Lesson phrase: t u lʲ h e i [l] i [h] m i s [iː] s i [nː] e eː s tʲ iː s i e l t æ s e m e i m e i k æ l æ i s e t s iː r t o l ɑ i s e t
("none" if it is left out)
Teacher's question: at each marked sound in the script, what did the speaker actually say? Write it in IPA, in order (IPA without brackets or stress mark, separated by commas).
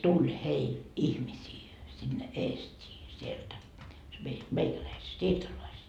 l, h, iː, nː